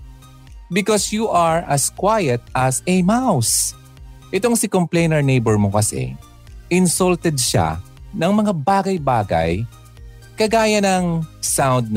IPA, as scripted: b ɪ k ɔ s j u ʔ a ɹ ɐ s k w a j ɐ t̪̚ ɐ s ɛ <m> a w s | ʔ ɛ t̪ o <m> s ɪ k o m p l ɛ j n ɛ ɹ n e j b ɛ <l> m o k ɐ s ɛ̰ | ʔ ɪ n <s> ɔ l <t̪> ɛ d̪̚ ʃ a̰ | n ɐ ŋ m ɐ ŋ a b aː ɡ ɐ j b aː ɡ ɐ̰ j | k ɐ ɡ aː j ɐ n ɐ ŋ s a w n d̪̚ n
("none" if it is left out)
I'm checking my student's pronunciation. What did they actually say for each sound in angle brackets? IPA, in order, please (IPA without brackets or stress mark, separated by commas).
m, ŋ, ɹ, s, t̪